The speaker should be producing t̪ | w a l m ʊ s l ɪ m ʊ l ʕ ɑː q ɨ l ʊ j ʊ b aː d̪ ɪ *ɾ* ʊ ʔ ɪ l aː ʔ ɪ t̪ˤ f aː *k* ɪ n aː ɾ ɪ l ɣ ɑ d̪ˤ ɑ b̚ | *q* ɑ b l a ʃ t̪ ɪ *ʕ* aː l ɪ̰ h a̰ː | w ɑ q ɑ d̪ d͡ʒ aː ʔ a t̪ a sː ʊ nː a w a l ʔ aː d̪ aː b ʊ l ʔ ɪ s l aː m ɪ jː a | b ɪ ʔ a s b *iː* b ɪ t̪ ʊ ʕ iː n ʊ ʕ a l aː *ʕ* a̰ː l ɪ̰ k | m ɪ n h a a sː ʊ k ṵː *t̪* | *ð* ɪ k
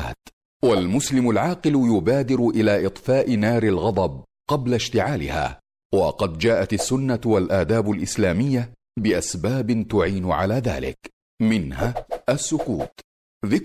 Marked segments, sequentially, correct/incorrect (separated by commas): correct, incorrect, correct, correct, incorrect, incorrect, correct, correct